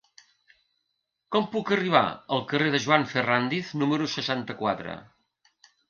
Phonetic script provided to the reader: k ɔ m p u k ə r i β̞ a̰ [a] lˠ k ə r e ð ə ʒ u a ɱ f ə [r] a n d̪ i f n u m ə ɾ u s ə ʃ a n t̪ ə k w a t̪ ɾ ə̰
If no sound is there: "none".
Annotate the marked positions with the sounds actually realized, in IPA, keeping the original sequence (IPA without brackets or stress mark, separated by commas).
ə, r